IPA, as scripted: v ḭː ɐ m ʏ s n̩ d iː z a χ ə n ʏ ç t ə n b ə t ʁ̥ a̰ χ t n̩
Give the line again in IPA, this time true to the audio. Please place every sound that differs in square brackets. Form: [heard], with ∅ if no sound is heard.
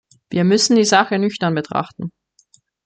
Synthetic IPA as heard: v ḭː ɐ m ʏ s n̩ d iː z a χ ə n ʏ ç t [ɐ] n b ə t ʁ̥ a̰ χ t n̩